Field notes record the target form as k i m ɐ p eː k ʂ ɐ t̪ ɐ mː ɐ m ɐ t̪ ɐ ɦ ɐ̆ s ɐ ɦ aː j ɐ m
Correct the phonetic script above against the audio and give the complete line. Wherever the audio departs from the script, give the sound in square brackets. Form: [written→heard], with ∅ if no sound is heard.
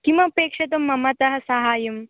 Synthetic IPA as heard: k i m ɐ p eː k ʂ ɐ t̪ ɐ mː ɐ m ɐ t̪ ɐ ɦ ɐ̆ s ɐ ɦ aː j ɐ m